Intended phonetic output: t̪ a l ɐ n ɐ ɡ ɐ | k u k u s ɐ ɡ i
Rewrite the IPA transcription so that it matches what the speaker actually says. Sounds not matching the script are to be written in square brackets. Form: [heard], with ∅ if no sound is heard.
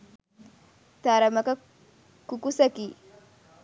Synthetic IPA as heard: t̪ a [ɾ] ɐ [m] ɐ [k] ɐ | k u k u s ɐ [k] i